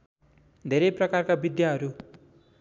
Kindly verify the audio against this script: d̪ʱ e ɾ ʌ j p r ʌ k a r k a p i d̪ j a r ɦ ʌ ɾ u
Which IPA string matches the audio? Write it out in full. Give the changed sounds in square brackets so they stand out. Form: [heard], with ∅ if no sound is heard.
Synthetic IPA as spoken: d̪ʱ e ɾ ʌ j p r ʌ k a r k a [b] i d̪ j a [∅] ɦ ʌ ɾ u